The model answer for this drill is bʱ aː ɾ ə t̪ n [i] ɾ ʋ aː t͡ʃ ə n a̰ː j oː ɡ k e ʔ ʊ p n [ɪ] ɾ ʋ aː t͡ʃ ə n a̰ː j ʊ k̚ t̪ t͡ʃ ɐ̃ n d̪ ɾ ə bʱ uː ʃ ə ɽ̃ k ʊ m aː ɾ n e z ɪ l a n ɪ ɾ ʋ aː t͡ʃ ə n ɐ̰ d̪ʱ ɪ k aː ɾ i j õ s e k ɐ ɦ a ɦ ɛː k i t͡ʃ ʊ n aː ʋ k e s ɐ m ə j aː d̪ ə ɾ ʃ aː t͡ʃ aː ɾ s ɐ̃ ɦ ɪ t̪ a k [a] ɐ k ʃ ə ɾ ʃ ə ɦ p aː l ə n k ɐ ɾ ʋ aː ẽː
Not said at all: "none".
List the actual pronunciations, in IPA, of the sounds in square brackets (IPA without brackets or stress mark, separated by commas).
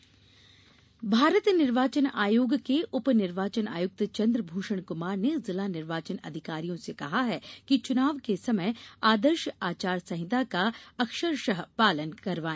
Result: ɪ, ɪ, a